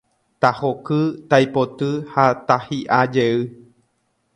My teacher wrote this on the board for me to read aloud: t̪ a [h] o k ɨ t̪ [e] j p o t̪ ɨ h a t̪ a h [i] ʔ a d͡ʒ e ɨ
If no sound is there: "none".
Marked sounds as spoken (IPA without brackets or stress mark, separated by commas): h, a, i